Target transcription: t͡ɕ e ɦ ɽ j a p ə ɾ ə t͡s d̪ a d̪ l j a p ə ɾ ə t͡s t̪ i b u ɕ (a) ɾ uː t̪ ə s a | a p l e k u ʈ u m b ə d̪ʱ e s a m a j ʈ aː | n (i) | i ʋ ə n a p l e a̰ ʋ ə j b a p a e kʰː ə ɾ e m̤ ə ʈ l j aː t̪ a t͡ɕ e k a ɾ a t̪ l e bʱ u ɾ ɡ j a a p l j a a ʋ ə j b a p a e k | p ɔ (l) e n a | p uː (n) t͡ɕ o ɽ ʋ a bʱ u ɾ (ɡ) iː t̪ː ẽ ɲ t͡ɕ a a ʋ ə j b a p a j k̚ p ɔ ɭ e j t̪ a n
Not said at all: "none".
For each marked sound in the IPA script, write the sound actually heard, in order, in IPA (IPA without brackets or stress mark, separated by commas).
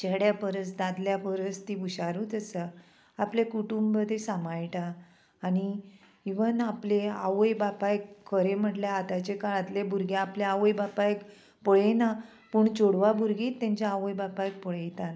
a, i, ɭ, ɳ, ɡ